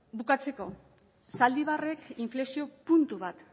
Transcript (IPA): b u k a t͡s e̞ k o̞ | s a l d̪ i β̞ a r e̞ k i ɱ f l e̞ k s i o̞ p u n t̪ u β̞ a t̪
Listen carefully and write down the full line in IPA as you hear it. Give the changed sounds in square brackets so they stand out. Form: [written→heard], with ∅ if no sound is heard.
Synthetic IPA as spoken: b u k a t͡s e̞ k o̞ | s a l d̪ i β̞ a r e̞ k i ɱ f l e̞ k s i o̞ p u n t̪ u β̞ a t̪